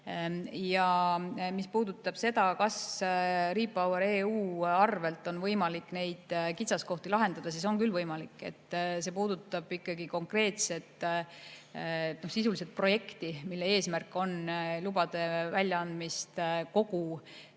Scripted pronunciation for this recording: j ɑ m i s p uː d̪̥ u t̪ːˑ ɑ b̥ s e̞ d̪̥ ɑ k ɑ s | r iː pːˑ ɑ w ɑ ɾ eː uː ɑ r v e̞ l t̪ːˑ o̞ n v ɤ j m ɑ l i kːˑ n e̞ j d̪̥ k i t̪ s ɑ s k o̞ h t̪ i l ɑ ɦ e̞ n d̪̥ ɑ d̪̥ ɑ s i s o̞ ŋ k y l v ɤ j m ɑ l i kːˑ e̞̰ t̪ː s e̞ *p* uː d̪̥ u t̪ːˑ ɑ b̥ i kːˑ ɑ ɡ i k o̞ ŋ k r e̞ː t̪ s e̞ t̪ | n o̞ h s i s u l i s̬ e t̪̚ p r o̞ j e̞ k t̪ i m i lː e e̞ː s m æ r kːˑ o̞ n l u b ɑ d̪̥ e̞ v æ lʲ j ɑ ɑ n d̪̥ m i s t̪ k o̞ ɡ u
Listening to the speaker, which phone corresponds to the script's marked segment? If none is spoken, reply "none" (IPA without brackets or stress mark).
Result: p